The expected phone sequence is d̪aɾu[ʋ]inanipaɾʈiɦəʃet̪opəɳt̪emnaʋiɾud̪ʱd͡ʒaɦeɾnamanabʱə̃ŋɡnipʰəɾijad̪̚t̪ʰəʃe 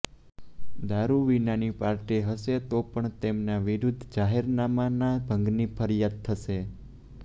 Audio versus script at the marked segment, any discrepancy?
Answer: no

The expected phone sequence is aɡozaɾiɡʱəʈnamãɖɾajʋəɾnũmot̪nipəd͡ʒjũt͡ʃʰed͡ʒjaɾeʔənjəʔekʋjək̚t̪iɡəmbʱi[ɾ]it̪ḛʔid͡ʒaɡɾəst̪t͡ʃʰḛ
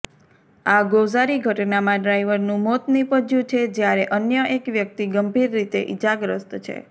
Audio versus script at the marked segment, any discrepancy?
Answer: yes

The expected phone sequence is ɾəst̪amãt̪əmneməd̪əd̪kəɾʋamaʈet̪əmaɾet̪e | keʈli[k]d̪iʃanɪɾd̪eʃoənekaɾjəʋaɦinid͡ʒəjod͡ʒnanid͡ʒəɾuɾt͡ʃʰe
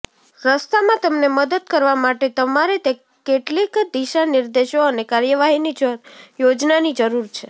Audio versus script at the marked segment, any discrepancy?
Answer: no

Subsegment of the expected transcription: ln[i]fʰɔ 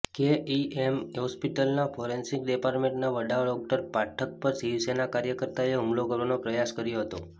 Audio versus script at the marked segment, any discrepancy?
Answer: yes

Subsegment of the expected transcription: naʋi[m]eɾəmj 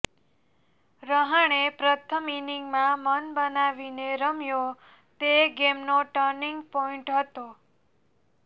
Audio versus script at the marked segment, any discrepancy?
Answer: yes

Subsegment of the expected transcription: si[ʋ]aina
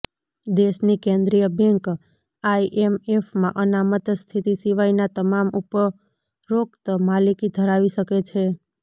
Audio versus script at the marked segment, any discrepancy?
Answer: no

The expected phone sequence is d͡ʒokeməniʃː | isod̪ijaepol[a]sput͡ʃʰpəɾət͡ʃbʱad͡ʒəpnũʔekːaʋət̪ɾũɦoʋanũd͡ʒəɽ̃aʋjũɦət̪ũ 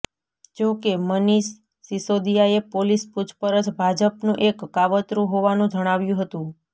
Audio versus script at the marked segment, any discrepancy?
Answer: yes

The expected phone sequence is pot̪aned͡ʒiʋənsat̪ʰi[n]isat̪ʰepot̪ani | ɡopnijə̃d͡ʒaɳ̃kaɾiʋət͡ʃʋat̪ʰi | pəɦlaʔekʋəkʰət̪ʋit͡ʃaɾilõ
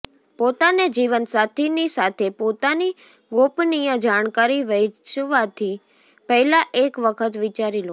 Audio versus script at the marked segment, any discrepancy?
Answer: no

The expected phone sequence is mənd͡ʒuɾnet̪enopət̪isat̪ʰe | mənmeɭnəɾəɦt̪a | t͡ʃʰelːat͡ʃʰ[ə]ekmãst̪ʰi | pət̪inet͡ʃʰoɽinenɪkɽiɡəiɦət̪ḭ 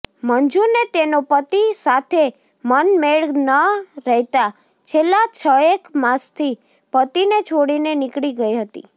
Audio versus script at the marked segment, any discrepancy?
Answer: no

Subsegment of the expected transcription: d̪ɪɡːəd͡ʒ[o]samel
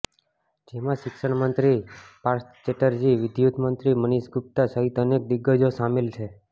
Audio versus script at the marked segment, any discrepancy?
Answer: no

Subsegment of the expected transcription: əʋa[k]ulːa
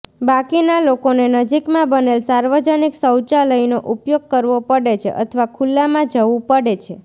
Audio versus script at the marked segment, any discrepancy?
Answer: yes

